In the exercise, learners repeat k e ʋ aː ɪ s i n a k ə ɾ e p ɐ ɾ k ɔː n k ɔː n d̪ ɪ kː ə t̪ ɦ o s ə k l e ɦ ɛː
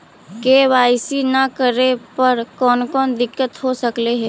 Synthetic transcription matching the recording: k e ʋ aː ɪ s i n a k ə ɾ e p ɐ ɾ k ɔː n k ɔː n d̪ ɪ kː ə t̪ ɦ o s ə k l e ɦ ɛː